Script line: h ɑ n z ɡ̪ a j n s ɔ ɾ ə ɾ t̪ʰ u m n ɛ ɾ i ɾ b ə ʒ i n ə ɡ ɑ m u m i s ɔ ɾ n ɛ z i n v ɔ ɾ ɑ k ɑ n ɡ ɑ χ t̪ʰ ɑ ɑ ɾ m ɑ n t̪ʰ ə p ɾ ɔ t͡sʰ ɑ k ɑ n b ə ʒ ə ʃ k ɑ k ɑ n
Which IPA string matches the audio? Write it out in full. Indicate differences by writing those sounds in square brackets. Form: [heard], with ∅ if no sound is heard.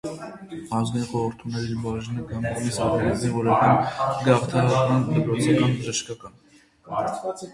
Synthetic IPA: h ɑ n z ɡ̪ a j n [χ] ɔ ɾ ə ɾ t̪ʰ u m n ɛ ɾ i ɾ b [ɑ] ʒ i n ə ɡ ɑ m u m i s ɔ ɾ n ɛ z i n v ɔ ɾ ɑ k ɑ n ɡ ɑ χ t̪ʰ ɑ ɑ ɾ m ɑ n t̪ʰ ə p ɾ ɔ t͡sʰ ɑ k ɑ n b ə ʒ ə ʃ k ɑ k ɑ n